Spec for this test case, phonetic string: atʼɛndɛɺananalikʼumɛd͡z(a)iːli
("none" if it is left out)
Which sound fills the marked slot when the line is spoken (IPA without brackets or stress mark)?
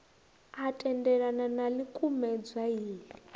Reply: a